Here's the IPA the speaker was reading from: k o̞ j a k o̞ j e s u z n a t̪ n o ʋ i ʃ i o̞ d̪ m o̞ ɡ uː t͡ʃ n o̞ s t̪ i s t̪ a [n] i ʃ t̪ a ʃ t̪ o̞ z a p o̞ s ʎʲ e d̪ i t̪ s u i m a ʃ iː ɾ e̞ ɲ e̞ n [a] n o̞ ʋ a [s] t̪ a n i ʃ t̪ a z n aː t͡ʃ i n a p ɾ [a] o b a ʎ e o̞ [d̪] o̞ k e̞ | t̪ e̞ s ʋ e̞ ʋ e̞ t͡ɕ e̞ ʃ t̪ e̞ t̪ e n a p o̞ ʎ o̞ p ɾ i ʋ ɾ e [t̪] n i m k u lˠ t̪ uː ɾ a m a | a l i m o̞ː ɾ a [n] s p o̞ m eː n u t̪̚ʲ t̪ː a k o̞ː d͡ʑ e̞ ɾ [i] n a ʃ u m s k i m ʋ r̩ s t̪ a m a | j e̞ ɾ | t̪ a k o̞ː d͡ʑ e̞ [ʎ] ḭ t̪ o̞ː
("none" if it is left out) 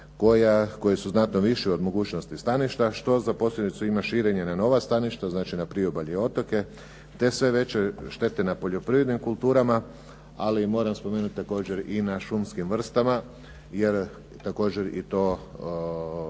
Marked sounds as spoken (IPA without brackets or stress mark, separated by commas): n, a, s, i, t̪, d̪, m, i, ɾ